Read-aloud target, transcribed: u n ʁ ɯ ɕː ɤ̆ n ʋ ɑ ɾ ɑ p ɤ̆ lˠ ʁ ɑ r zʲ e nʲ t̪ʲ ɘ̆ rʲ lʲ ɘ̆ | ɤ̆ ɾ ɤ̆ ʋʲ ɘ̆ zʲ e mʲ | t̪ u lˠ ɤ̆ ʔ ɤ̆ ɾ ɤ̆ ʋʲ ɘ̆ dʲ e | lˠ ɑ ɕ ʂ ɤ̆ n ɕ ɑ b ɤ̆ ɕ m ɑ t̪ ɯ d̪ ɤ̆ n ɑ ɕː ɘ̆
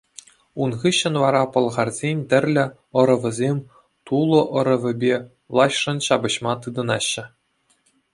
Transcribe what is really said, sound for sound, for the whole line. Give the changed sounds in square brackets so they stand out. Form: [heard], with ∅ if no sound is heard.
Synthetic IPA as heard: u n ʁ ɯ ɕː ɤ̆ n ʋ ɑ ɾ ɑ p ɤ̆ lˠ ʁ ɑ r zʲ e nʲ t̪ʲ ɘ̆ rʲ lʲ ɘ̆ | ɤ̆ ɾ ɤ̆ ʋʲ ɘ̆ zʲ e mʲ | t̪ u lˠ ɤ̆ ʔ ɤ̆ ɾ ɤ̆ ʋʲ ɘ̆ [bʲ] e | lˠ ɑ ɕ ʂ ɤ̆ n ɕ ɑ b ɤ̆ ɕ m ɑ t̪ ɯ d̪ ɤ̆ n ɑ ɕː ɘ̆